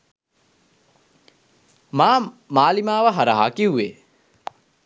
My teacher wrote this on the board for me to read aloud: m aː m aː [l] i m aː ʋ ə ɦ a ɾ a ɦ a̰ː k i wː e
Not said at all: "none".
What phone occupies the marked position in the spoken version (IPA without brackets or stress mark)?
l